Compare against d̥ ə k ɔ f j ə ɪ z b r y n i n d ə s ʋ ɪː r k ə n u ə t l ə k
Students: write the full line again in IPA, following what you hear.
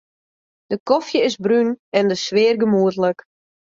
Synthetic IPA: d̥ ə k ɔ f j ə ɪ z b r y n ɛ n d ə s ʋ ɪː r ɡ ə m u ə t l ə k